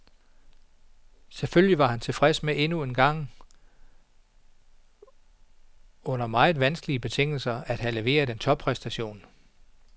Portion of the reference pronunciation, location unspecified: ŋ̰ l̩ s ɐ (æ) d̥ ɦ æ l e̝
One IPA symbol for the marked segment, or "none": æ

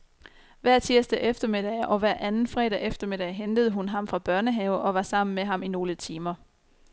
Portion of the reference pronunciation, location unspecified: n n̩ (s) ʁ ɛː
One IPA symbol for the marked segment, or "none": f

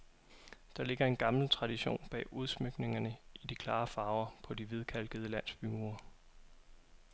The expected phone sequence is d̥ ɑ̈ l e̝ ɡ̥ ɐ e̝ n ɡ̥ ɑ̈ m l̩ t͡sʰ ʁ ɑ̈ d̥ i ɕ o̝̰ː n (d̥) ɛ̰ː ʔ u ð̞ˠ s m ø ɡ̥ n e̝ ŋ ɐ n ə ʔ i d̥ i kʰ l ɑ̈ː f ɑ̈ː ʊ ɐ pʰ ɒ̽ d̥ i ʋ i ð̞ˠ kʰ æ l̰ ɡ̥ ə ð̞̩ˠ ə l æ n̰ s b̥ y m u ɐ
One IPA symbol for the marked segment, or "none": b̥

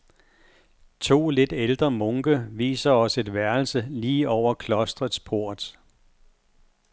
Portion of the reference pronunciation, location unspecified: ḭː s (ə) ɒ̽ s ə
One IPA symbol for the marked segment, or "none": ɐ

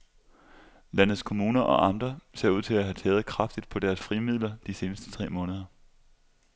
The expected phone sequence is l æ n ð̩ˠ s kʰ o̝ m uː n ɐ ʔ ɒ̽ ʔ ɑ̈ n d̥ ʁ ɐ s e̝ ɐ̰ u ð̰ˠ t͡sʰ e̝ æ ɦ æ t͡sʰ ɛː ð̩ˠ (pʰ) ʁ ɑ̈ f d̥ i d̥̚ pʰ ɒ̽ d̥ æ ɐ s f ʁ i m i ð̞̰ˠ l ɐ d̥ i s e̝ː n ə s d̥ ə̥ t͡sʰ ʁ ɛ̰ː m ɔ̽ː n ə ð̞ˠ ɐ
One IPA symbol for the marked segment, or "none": kʰ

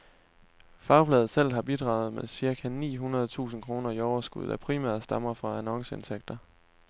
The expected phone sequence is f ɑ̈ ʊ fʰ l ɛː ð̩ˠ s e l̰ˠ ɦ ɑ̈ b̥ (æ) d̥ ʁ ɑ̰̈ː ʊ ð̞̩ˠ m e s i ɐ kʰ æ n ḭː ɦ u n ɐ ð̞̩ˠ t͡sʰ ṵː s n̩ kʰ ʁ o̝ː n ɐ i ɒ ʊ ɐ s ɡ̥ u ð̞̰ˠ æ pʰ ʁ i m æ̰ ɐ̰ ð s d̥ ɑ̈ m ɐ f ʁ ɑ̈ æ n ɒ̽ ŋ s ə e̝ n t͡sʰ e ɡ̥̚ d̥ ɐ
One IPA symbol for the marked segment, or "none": i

